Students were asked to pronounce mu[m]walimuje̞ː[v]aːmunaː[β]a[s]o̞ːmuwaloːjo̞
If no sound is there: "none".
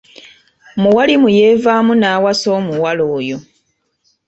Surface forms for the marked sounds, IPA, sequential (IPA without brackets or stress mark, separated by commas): none, v, w, s